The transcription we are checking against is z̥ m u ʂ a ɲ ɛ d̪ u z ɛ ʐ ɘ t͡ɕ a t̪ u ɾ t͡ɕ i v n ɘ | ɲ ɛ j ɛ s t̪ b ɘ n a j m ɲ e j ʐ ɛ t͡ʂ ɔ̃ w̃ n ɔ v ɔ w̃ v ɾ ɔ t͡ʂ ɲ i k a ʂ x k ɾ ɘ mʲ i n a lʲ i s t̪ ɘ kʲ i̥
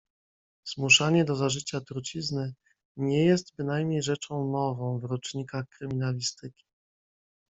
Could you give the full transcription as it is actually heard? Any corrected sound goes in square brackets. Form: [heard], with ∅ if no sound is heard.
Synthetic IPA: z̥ m u ʂ a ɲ ɛ d̪ [ɔ] z [a] ʐ ɘ t͡ɕ a t̪ u ɾ t͡ɕ i [z] n ɘ | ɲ ɛ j ɛ s t̪ b ɘ n a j m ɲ e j ʐ ɛ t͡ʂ ɔ̃ w̃ n ɔ v [ɔ̃] w̃ v ɾ ɔ t͡ʂ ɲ i k a [∅] x k ɾ ɘ mʲ i n a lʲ i s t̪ ɘ kʲ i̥